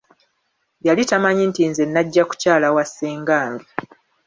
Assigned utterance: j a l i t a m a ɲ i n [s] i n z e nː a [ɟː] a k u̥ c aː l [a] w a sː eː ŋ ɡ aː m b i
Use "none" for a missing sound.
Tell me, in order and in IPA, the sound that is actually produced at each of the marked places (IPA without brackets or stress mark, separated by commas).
t, ɟː, a